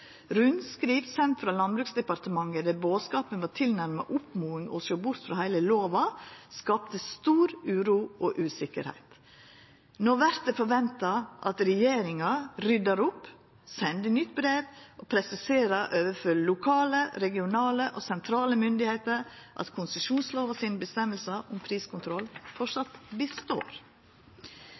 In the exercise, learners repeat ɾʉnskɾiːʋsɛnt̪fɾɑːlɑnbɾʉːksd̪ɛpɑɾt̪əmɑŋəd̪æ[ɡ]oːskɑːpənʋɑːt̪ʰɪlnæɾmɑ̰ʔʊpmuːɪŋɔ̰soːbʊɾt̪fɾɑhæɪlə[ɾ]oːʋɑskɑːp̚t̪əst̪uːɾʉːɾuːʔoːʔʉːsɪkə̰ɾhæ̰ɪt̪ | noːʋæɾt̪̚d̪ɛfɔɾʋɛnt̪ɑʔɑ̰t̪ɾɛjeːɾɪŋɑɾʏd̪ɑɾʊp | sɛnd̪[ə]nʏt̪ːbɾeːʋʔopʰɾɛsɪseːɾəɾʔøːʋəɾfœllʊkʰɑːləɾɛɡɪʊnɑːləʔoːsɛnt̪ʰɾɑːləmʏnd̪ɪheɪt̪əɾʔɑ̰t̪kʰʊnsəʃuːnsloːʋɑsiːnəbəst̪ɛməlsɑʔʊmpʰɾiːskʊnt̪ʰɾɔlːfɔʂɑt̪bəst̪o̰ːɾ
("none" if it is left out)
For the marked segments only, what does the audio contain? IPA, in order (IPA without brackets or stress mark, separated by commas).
b, l, ə